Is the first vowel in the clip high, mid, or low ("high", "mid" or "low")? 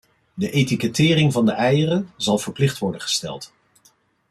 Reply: mid